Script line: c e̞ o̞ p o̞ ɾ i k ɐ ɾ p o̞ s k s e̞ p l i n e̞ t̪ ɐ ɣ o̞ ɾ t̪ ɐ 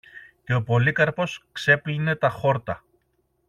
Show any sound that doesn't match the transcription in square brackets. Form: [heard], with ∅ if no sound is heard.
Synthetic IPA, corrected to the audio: c e̞ o̞ p o̞ [l] i k ɐ ɾ p o̞ s k s e̞ p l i n e̞ t̪ ɐ [x] o̞ ɾ t̪ ɐ